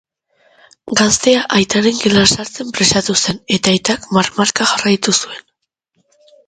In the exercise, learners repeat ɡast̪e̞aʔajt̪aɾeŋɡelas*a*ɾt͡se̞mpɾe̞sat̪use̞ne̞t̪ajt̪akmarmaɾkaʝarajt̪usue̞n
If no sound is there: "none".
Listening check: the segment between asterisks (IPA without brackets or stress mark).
a